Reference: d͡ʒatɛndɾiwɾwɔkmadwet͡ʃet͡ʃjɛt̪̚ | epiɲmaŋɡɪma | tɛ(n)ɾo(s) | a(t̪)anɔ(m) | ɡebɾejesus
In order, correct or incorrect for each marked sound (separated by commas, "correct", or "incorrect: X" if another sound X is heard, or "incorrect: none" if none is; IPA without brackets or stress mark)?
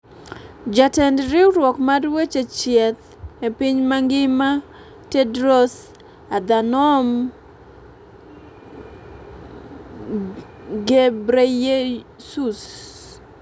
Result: incorrect: d, correct, incorrect: d̪, correct